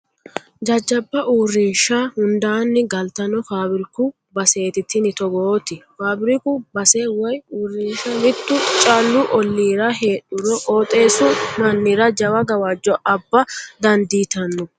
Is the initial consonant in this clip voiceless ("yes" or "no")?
no